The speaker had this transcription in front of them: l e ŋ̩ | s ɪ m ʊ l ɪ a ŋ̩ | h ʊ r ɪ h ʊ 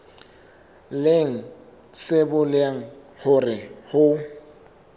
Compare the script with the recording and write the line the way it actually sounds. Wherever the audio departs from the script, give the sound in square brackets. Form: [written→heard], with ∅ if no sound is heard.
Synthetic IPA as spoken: l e ŋ̩ | s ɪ [m→b] ʊ l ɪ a ŋ̩ | h ʊ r ɪ h ʊ